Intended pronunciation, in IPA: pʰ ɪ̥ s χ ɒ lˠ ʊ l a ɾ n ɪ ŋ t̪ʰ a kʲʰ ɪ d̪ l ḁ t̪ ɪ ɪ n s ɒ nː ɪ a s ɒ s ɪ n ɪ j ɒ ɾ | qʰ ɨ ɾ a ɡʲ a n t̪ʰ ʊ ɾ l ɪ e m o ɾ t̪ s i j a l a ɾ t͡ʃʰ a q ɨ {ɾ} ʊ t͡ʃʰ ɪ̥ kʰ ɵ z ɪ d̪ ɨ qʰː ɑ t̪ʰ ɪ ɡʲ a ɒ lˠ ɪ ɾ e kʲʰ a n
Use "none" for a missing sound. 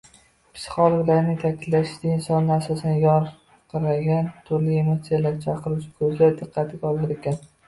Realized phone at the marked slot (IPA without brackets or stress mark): ɾ